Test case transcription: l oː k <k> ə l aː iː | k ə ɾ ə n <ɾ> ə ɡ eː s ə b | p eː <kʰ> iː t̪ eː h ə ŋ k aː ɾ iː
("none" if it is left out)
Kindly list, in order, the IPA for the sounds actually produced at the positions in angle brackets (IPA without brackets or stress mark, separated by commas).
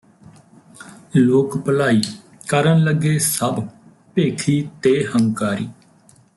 p, l, kʰ